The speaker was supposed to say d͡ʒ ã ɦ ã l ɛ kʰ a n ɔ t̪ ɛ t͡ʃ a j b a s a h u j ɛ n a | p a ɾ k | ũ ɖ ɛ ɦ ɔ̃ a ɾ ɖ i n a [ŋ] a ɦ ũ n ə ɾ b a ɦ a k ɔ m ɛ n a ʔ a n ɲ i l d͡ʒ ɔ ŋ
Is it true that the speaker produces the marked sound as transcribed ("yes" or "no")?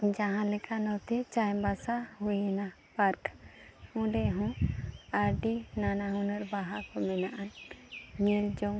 no